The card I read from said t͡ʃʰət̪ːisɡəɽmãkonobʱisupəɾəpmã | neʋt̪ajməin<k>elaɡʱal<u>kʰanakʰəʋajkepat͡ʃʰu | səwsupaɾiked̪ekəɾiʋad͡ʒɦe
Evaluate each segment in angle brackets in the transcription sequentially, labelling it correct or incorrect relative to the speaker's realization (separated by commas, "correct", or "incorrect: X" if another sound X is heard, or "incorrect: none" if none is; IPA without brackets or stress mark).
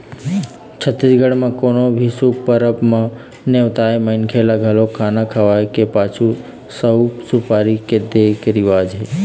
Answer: incorrect: kʰ, incorrect: o